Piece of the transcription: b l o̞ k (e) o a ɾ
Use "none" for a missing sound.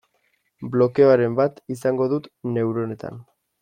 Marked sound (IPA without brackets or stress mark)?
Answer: e